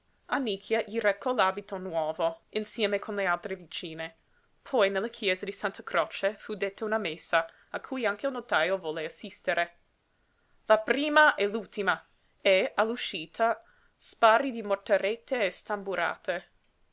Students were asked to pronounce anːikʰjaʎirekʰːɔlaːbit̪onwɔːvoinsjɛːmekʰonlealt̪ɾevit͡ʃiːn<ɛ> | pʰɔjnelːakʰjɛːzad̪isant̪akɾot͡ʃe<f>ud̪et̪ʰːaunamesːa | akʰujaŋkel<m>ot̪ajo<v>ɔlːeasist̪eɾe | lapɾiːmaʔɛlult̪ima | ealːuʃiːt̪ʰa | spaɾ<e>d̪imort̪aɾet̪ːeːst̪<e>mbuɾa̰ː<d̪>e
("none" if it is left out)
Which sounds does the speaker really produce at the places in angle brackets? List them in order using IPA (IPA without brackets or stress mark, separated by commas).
e, f, n, v, i, a, t̪